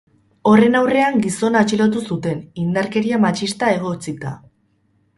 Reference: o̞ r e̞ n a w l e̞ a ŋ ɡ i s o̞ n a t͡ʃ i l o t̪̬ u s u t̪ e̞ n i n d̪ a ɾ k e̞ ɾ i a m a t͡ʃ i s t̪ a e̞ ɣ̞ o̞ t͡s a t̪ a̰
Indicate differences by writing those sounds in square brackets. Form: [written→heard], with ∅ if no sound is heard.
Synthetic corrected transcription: o̞ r e̞ n a w [l→r] e̞ a ŋ ɡ i s o̞ n a t͡ʃ i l o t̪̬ u s u t̪ e̞ n i n d̪ a ɾ k e̞ ɾ i a m a t͡ʃ i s t̪ a e̞ ɣ̞ o̞ t͡s [a→i] t̪ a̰